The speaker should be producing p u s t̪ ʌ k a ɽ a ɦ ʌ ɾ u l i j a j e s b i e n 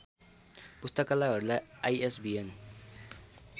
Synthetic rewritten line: p u s t̪ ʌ k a l a ɦ ʌ ɾ u l a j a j e s b i e n